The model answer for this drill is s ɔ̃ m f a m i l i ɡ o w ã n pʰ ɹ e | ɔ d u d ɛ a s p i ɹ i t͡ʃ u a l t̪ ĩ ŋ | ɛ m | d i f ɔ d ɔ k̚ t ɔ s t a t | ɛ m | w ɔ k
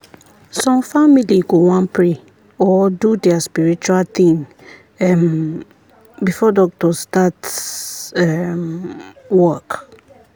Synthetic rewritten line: s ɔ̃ m f a m i l i ɡ o w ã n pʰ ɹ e | ɔ d u d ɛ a s p i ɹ i t͡ʃ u a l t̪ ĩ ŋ | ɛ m | b i f ɔ d ɔ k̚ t ɔ s t a t | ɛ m | w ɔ k